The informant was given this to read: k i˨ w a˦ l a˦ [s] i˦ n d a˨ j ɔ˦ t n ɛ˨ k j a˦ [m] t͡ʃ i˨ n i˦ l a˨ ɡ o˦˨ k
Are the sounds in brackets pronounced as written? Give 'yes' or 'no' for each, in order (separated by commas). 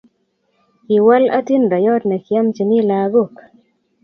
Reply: no, yes